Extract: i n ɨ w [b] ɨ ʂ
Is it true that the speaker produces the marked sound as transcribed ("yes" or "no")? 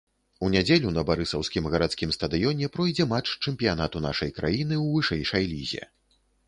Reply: no